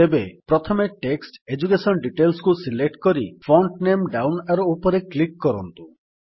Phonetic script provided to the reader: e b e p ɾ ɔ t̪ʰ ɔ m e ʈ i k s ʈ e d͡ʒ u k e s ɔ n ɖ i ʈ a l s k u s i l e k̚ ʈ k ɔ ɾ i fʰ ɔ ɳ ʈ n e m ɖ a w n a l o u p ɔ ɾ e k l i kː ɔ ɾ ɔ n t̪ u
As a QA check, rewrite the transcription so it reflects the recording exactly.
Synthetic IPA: e b e p ɾ ɔ t̪ʰ ɔ m e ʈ e k s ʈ e d͡ʒ u k e s ɔ n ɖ i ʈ e l s k u s i l e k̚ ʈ k ɔ ɾ i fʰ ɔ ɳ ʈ n e m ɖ a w n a ɾ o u p ɔ ɾ e k l i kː ɔ ɾ ɔ n t̪ u